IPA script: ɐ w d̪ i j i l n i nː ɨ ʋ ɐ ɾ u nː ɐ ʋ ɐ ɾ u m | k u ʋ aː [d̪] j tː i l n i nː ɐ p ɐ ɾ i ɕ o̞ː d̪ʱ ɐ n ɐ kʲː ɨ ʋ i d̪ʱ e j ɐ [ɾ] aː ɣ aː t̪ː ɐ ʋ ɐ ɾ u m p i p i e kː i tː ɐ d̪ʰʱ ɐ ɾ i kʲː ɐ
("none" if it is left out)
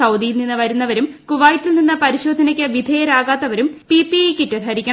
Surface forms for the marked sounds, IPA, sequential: none, ɾ

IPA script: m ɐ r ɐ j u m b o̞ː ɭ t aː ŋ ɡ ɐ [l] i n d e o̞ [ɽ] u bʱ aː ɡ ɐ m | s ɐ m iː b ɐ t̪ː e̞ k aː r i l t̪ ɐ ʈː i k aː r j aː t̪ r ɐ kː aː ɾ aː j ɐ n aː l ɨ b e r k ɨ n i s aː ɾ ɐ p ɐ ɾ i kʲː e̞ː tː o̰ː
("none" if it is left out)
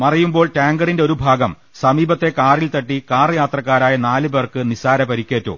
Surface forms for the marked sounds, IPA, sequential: ɽ, ɾ

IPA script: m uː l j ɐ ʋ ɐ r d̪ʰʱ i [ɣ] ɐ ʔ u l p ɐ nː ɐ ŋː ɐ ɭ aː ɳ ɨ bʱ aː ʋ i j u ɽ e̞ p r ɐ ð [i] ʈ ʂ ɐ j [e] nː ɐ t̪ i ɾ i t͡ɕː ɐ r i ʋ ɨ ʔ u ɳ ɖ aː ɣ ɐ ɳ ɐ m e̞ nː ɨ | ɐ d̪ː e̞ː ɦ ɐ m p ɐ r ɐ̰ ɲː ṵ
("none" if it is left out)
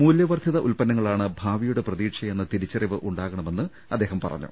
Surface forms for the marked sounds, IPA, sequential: ð, iː, e

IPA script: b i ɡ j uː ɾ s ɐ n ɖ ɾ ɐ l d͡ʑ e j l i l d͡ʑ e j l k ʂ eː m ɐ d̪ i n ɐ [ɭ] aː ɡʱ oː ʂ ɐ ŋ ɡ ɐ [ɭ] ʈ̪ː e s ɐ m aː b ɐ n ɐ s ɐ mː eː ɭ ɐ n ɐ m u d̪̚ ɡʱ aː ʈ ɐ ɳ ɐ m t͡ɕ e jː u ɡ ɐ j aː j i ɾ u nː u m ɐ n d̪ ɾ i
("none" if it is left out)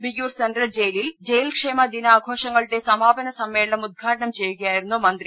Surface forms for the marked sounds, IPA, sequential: none, ɭ

